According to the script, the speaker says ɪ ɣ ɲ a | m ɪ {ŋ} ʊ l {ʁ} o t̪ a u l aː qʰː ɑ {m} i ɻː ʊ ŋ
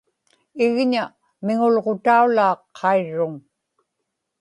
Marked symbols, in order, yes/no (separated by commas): yes, yes, no